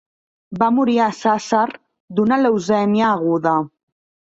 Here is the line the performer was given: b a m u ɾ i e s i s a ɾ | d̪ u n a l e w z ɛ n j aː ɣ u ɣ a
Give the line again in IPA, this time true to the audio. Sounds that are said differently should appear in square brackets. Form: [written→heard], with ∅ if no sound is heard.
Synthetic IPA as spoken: b a m u ɾ i [e→a] s [i→a] s a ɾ | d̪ u n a l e w z ɛ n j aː ɣ u [ɣ→ð] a